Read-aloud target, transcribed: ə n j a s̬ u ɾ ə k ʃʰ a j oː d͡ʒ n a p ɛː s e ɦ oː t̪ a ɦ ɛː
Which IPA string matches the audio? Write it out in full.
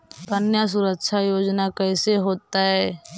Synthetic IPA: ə n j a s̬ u ɾ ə k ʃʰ a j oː d͡ʒ n a k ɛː s e ɦ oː t̪ a ɦ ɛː